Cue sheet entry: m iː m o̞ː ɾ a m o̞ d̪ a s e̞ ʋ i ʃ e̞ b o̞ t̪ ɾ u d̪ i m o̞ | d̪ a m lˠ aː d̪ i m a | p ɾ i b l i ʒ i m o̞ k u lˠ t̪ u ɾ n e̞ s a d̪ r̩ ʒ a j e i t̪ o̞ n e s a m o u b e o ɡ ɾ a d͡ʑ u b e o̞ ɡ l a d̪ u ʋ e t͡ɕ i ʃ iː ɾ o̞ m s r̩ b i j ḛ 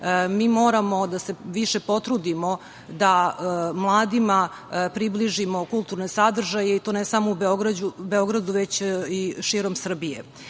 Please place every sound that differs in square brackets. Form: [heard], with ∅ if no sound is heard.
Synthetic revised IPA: m iː m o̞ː ɾ a m o̞ d̪ a s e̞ ʋ i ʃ e̞ [p] o̞ t̪ ɾ u d̪ i m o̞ | d̪ a m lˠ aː d̪ i m a | p ɾ i b l i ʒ i m o̞ k u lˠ t̪ u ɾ n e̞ s a d̪ r̩ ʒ a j e i t̪ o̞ n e s a m o u b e o ɡ ɾ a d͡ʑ u b e o̞ ɡ [ɾ] a d̪ u ʋ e t͡ɕ i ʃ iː ɾ o̞ m s r̩ b i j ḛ